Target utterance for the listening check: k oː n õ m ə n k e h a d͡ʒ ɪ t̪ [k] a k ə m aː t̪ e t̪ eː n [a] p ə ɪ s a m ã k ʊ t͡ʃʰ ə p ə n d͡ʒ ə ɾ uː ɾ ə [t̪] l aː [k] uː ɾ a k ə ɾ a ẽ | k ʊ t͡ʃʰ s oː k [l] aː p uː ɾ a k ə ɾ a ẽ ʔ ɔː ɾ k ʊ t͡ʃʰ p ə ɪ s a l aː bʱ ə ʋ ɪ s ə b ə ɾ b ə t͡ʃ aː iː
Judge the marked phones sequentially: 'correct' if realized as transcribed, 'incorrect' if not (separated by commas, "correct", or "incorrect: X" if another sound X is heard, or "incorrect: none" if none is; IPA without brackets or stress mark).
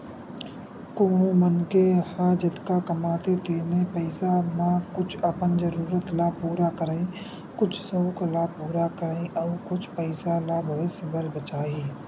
correct, incorrect: e, correct, incorrect: p, correct